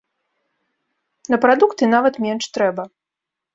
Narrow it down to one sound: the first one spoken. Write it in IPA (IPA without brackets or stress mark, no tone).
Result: n